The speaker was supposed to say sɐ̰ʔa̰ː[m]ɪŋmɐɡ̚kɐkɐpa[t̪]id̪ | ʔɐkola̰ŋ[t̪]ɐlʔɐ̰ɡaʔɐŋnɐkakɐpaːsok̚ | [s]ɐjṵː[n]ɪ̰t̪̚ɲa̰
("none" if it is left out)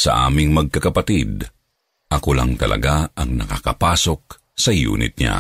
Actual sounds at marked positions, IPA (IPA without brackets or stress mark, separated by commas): m, t̪, t̪, s, n